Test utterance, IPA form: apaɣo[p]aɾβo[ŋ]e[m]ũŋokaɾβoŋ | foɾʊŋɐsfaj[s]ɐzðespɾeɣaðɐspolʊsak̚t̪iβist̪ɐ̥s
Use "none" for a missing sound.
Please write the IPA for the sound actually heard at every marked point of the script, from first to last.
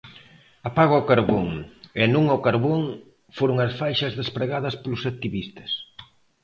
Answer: k, ŋ, n, ʃ

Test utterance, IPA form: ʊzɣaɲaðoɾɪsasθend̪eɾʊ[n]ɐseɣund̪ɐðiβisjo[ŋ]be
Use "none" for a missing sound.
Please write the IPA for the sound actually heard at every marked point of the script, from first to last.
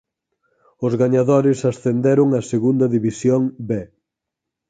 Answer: ŋ, ŋ

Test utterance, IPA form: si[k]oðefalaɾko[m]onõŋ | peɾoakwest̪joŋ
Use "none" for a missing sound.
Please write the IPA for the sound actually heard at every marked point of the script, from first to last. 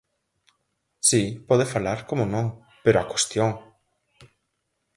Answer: p, m

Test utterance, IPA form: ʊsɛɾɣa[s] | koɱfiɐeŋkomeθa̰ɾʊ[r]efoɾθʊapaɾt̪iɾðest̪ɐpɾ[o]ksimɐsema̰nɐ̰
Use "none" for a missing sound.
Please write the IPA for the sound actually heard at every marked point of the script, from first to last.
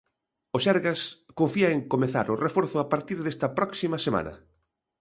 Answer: s, r, ɔ

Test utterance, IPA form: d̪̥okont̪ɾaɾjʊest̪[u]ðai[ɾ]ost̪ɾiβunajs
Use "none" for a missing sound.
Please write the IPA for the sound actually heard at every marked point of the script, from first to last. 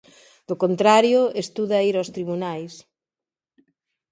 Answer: u, ɾ

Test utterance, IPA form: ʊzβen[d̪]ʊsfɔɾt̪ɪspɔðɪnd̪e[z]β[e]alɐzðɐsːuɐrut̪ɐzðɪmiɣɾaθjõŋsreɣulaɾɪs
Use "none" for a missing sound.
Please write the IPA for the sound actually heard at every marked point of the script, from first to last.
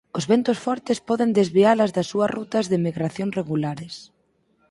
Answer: t̪, z, i

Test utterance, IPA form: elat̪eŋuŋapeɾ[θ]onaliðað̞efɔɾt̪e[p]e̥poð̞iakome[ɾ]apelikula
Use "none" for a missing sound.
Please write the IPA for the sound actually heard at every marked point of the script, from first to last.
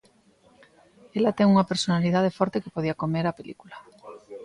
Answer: s, k, ɾ

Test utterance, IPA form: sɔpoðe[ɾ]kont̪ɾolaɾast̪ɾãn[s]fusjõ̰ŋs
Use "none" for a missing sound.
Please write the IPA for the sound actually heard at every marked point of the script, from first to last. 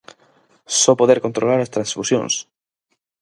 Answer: ɾ, s

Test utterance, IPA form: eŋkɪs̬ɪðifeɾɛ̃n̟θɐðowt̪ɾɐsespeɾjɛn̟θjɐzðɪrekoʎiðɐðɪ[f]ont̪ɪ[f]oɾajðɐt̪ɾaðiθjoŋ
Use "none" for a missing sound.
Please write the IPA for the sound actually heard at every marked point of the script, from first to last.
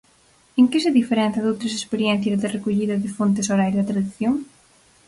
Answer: f, s

